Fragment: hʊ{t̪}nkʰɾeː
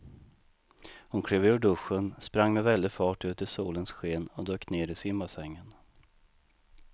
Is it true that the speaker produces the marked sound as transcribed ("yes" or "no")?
no